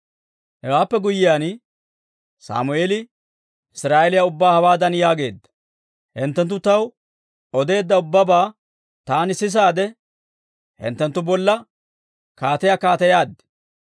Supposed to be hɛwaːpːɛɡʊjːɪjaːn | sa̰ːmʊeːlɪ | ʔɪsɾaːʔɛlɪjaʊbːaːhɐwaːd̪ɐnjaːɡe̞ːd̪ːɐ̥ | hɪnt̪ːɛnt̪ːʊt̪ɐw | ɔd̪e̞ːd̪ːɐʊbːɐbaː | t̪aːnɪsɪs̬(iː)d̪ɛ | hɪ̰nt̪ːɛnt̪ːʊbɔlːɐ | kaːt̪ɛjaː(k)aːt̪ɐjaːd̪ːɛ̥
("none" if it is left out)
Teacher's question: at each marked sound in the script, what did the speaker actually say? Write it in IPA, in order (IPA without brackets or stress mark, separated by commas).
aː, k